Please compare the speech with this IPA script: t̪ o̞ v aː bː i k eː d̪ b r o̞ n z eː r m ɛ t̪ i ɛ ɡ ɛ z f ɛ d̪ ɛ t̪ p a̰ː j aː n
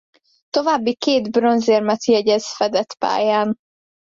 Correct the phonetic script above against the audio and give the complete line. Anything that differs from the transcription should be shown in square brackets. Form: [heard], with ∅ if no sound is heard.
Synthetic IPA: t̪ o̞ v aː bː i k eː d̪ b r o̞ n z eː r m ɛ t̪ [j] ɛ [ɟ] ɛ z f ɛ d̪ ɛ t̪ p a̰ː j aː n